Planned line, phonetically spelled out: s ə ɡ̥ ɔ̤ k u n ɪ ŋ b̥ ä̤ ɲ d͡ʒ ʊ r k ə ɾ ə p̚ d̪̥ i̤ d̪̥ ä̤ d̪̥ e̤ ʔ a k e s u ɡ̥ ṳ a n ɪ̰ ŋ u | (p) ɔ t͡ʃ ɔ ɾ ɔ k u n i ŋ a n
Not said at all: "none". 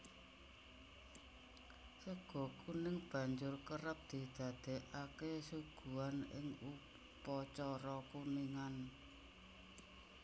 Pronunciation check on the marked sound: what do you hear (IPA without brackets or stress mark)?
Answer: p